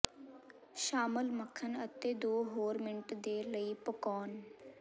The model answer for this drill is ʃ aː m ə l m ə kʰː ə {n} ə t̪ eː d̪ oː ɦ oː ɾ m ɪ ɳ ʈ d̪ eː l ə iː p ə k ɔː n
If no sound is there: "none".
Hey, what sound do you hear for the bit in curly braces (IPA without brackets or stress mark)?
n